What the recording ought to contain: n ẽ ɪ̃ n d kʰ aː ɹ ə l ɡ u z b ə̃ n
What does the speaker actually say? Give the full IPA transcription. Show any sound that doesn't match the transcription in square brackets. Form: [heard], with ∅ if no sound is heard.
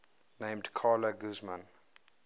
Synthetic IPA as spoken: n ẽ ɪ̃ [m] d kʰ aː [l] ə [∅] ɡ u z [m] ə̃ n

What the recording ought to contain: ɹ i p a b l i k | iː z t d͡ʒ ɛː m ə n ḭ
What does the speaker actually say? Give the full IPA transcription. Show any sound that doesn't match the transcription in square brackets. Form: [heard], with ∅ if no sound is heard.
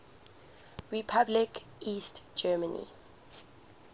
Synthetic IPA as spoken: ɹ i [pʰ] a b l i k | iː [s] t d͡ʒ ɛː m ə n ḭ

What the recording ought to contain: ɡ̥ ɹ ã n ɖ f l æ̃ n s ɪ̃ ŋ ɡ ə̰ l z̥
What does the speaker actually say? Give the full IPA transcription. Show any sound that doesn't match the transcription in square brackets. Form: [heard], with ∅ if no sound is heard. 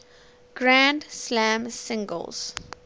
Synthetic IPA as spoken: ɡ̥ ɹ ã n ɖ [s] l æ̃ [m] s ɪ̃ ŋ ɡ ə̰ l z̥

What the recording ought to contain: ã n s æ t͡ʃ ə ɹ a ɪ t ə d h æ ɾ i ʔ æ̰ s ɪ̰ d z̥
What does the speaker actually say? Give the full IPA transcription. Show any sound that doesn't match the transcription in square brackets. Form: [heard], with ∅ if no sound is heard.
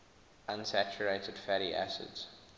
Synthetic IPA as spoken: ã n s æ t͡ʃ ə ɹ [e] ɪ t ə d [f] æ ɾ i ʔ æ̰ s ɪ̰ d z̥

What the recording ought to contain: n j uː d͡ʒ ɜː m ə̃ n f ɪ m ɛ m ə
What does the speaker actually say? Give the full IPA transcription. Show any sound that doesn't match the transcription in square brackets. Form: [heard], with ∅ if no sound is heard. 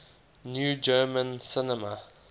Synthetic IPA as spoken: n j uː d͡ʒ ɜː m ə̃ n [s] ɪ [n] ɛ m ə

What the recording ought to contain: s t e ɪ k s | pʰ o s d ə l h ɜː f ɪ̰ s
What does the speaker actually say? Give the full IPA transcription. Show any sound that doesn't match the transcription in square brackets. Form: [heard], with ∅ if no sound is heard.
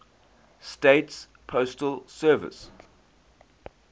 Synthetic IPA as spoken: s t e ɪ [t] s | pʰ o s [t] ə l [s] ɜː [v] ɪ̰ s

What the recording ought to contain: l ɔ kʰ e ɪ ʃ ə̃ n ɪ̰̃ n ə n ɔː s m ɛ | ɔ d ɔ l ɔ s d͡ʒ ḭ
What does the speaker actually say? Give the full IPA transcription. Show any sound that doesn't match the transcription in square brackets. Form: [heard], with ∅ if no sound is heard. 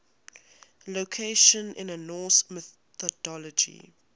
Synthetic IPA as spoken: l [o] kʰ e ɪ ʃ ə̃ n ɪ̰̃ n ə n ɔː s m ɛ | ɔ d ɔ l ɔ [∅] d͡ʒ ḭ

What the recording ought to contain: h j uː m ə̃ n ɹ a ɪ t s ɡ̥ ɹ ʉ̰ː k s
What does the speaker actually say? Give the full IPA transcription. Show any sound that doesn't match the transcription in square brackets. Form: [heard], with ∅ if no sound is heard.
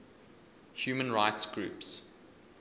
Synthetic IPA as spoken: h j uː m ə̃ n ɹ a ɪ t s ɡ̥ ɹ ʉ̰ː [p] s

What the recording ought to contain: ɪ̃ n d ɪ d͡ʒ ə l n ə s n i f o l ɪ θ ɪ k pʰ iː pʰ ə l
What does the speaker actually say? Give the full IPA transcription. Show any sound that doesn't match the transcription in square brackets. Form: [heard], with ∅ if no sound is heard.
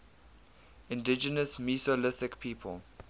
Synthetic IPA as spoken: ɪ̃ n d ɪ d͡ʒ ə [∅] n ə s [m] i [s] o l ɪ θ ɪ k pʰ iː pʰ ə l

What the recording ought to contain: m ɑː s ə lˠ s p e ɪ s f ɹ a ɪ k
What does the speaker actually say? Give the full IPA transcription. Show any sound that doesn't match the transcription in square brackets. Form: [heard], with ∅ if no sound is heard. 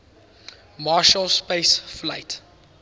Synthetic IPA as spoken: m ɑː [ʃ] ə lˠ s p e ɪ s f [l] a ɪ [t]

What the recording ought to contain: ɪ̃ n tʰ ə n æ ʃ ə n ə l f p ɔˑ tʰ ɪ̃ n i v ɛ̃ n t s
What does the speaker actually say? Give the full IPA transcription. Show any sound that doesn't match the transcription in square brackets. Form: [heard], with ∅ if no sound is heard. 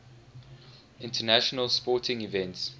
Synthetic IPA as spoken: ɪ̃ n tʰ ə n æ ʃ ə n ə l [s] p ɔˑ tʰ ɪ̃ [ŋ] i v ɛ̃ n t s

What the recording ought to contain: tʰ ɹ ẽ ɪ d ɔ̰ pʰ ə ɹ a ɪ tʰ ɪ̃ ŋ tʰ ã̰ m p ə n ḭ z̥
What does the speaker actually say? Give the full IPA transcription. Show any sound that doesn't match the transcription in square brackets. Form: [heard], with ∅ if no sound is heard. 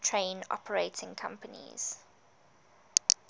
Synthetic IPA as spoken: tʰ ɹ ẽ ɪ [n] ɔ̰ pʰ ə ɹ [e] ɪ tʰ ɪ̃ ŋ [kʰ] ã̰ m p ə n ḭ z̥

